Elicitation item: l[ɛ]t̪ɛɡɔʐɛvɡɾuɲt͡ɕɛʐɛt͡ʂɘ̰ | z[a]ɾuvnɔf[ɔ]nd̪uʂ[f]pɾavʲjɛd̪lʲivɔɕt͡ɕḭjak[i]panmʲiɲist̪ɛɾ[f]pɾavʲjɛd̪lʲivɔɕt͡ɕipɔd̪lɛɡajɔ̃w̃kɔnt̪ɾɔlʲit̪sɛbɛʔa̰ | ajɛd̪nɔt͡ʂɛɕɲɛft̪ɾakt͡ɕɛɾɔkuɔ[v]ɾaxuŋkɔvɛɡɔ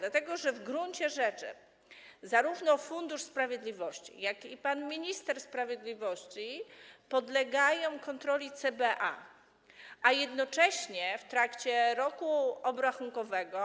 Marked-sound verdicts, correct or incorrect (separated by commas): incorrect, correct, incorrect, incorrect, correct, incorrect, incorrect